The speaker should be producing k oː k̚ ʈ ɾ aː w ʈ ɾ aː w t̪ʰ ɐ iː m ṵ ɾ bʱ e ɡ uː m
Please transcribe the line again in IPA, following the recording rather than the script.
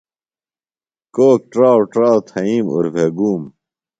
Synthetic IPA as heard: k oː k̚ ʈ ɾ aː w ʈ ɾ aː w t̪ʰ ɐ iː m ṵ ɾ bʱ e ɡ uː m